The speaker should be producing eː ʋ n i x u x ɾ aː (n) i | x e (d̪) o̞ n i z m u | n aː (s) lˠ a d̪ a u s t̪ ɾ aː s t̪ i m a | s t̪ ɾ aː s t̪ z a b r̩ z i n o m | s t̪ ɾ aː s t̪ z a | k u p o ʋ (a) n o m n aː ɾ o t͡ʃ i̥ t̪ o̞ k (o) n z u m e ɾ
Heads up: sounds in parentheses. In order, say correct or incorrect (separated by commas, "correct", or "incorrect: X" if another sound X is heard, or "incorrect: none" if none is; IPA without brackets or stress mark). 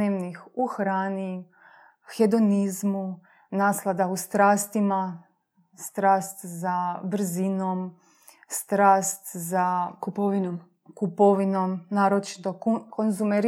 correct, correct, correct, incorrect: i, correct